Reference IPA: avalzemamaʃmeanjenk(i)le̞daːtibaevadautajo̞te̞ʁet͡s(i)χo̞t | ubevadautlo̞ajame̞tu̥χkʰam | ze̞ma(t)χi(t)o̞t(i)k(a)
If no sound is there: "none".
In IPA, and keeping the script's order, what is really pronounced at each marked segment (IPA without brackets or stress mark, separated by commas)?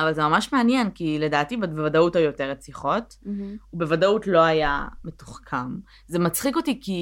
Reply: i, i, t͡s, k, i, i